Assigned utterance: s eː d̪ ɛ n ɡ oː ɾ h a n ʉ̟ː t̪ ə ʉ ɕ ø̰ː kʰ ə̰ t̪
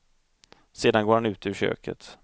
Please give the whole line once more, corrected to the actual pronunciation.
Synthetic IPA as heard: s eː d̪ a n ɡ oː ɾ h a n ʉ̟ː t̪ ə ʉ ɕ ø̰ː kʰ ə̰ t̪

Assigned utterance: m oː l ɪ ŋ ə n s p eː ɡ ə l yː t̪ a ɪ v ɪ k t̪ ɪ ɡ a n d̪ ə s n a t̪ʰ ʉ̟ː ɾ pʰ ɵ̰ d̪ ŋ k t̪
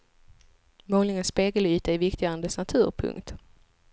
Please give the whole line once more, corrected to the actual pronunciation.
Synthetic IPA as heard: m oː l ɪ ŋ ə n s p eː ɡ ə l yː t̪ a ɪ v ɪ k t̪ ɪ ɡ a n d̪ ə s n a t̪ʰ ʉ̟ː ɾ pʰ ɵ̰ ŋ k t̪

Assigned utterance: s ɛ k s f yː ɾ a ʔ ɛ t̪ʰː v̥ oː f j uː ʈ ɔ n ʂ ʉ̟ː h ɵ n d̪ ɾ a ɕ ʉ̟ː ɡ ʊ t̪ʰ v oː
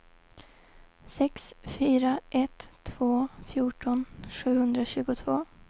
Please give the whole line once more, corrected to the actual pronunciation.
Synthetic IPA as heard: s ɛ k s f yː ɾ a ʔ ɛ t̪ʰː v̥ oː f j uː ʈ ɔ n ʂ ʉ̟ː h ɵ n d̪ ɾ a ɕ ʉ̟ː ɡ ʊ t̪ʰ v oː

